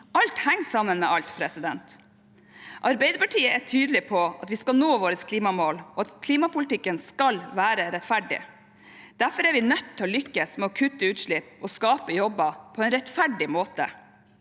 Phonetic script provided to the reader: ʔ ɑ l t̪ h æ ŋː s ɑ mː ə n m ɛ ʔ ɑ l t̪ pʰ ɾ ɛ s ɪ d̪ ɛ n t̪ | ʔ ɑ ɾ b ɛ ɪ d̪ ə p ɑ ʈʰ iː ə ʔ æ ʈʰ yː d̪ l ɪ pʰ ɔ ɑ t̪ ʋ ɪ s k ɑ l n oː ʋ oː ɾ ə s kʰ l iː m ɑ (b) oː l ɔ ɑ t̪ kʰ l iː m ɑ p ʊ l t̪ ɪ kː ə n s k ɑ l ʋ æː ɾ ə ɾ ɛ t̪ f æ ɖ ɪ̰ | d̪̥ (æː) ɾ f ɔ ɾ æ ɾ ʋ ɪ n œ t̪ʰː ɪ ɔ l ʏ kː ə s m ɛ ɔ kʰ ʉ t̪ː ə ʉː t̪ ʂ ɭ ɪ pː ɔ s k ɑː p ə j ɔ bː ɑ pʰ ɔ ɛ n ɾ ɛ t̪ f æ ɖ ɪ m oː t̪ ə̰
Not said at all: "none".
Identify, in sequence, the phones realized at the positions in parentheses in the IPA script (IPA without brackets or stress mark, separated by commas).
m, æ